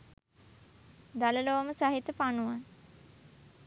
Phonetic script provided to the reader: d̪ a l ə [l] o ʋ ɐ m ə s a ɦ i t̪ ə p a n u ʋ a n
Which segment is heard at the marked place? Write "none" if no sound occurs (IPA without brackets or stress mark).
l